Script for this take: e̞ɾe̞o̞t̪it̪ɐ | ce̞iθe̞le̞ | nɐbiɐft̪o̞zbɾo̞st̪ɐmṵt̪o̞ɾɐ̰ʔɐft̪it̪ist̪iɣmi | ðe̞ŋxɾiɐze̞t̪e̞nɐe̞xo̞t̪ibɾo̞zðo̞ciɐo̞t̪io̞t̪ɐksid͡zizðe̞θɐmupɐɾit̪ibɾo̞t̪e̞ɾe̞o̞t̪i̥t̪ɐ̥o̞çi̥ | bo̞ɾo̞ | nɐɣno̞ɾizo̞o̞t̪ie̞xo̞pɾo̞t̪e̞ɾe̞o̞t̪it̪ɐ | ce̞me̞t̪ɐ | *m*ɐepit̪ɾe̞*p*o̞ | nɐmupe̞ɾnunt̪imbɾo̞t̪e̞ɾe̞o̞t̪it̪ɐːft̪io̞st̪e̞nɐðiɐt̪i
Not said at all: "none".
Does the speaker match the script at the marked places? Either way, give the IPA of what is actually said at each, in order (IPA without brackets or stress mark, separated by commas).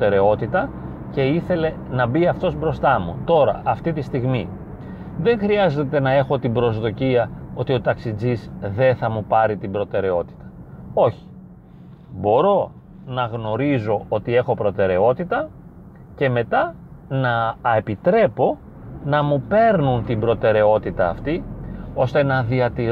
n, p